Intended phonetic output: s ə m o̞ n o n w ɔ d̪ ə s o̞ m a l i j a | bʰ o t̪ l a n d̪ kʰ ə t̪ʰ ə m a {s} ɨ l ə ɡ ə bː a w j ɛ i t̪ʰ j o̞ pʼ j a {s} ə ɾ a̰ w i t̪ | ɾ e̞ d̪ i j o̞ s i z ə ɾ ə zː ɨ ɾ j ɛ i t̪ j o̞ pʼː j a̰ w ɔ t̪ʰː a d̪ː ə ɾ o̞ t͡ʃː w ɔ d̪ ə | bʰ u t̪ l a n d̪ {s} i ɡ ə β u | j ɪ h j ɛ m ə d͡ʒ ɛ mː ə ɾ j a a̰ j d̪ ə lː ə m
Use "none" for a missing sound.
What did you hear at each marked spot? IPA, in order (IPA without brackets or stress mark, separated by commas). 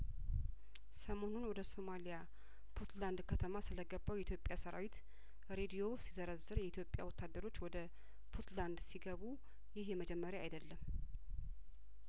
s, s, s